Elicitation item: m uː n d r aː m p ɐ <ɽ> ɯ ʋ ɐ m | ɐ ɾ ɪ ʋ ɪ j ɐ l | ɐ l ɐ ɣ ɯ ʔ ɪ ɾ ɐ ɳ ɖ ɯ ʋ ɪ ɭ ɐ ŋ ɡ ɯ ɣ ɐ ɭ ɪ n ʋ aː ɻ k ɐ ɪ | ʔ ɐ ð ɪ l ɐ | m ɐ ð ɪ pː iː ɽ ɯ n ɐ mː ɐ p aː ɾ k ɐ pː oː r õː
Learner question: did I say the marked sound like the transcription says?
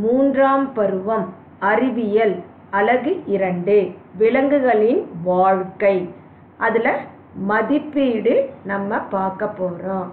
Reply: no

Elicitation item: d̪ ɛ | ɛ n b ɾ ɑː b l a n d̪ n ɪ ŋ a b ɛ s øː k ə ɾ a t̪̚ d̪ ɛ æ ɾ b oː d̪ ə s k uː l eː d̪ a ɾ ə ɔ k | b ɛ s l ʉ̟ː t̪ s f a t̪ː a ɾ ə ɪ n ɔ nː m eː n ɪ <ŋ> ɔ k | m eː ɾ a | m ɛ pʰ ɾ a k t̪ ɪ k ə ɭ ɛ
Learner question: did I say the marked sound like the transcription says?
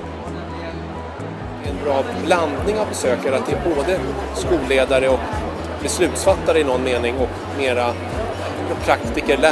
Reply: yes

